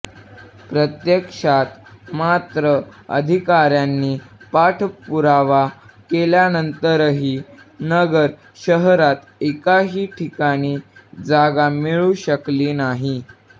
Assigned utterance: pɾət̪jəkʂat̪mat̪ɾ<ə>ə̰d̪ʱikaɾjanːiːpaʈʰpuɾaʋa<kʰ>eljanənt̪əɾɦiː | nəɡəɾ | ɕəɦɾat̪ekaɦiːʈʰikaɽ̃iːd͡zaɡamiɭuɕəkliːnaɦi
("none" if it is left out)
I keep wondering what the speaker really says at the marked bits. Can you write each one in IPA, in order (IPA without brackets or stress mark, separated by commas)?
ə, k